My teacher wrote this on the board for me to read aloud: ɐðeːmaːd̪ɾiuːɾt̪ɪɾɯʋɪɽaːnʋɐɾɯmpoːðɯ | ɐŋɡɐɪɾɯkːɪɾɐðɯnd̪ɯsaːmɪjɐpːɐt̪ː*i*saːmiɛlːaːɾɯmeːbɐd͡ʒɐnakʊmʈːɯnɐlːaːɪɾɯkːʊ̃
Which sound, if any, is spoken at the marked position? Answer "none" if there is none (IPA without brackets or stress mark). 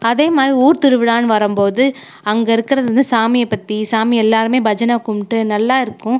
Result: i